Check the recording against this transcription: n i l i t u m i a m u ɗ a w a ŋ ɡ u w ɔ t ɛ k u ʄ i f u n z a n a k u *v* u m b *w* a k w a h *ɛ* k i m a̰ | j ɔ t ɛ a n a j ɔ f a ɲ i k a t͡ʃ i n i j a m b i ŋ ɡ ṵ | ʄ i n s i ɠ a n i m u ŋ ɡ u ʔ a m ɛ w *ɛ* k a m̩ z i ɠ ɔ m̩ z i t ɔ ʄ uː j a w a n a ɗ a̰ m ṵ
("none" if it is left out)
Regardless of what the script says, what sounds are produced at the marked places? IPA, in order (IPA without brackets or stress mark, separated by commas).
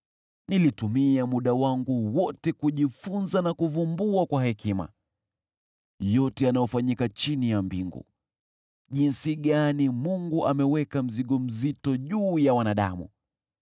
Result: v, u, ɛ, ɛ